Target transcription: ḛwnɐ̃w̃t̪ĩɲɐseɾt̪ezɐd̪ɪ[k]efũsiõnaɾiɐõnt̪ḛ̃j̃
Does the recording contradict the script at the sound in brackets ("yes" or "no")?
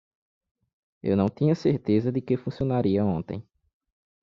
no